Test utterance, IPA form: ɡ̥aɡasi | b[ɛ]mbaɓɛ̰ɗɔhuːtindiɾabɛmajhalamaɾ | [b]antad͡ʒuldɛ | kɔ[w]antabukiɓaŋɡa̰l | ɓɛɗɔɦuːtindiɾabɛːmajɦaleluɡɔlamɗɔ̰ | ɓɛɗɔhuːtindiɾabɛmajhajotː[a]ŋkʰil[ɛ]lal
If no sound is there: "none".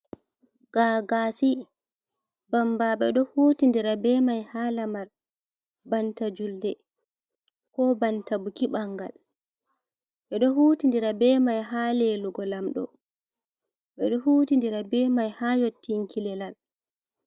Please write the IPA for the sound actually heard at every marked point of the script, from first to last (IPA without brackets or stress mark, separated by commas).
a, b, b, i, ɛ